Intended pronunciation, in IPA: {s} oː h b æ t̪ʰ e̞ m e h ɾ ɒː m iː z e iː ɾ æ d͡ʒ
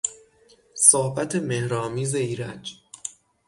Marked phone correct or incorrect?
correct